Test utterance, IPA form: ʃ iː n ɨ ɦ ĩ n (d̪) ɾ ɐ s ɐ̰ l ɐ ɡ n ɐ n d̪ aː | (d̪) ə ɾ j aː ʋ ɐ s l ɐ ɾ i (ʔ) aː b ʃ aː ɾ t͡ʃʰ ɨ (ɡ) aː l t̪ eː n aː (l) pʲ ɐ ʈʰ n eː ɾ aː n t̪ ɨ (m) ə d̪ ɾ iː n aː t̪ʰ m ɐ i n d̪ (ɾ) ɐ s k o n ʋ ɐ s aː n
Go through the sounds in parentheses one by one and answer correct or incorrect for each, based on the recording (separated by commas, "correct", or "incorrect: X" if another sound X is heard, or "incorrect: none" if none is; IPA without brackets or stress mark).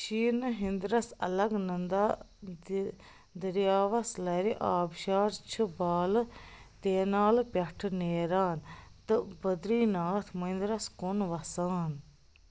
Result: correct, correct, correct, incorrect: b, correct, incorrect: b, correct